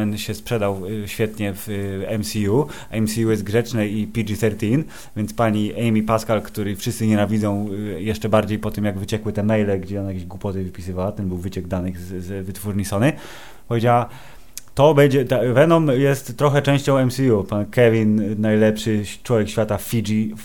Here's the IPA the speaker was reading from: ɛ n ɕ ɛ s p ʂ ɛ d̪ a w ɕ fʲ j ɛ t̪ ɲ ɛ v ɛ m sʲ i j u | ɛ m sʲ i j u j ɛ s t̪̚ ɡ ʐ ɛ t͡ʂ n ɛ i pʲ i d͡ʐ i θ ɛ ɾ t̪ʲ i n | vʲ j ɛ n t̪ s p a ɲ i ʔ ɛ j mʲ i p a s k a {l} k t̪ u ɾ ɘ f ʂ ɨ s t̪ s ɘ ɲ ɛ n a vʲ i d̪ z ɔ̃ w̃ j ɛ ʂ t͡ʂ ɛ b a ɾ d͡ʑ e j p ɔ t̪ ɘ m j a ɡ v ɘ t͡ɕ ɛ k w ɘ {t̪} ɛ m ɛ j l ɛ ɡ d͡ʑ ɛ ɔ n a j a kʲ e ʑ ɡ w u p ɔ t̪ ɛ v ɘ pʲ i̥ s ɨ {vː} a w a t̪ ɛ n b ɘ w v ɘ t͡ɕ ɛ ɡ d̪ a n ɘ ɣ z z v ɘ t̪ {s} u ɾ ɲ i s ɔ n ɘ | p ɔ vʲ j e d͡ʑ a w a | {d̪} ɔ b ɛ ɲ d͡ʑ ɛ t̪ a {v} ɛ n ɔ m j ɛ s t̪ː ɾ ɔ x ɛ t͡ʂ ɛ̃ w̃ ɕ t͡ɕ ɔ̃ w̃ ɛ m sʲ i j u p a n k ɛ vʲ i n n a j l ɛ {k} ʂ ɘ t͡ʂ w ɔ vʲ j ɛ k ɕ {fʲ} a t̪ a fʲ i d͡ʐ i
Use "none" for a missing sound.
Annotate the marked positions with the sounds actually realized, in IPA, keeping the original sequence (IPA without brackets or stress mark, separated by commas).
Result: l, t̪, v, f, t̪, v, p, fʲ